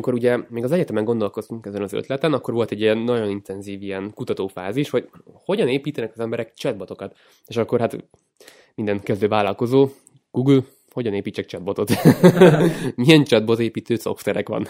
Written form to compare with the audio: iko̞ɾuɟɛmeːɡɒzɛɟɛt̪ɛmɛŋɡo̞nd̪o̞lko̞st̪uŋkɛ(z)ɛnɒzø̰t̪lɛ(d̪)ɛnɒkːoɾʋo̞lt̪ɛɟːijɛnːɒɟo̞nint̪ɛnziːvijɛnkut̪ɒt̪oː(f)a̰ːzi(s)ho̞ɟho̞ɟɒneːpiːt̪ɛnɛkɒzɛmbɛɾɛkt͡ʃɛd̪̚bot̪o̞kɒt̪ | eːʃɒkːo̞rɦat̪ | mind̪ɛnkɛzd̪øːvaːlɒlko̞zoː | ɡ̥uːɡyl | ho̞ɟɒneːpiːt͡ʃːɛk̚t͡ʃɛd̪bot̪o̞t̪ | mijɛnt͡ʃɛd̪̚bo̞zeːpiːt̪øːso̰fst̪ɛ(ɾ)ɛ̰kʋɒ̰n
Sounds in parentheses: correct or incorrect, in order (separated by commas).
correct, incorrect, correct, incorrect, correct